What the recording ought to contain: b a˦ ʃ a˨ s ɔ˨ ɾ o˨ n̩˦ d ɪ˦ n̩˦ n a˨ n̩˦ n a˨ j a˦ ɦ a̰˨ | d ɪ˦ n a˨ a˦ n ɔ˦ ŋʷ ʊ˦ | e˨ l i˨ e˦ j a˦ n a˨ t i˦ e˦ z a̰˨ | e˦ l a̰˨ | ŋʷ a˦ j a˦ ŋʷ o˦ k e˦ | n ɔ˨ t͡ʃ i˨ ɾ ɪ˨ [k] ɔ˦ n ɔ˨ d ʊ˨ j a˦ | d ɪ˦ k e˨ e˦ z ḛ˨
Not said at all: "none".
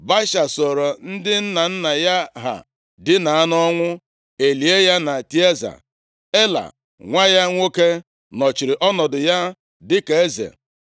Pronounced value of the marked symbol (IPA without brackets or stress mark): ʔ